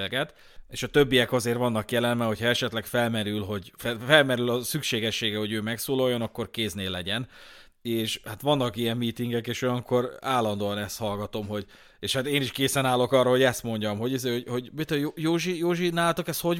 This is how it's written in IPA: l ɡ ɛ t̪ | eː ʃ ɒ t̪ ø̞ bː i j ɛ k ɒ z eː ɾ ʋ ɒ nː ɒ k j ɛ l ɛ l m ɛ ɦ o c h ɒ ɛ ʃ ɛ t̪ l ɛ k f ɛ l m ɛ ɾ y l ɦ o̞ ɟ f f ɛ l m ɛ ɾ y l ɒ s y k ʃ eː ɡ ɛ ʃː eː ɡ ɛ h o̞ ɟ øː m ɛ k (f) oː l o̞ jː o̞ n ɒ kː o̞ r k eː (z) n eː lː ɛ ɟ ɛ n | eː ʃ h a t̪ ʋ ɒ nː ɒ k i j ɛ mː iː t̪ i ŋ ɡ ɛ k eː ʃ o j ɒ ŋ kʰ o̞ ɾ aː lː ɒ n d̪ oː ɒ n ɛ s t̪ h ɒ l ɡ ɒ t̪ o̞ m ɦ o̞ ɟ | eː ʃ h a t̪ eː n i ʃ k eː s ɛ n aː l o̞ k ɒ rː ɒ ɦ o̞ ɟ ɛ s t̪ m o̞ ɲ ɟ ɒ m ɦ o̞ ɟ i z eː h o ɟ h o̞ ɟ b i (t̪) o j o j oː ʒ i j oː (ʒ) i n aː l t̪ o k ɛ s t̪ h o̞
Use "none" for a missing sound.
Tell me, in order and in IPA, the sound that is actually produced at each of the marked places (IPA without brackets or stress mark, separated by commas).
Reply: s, z, t̪, ʒ